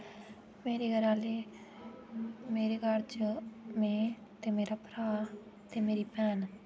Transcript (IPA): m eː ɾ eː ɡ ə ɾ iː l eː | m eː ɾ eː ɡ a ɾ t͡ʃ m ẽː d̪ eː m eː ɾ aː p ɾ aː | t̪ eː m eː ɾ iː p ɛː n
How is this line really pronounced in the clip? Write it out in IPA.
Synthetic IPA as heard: m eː ɾ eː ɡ ə ɾ aː l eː | m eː ɾ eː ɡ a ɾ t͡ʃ m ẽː t̪ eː m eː ɾ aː p ɾ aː | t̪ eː m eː ɾ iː p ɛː n